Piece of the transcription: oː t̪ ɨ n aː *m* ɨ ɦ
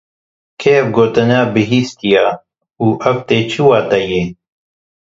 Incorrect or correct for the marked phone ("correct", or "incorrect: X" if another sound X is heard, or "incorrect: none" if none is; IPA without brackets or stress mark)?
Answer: incorrect: b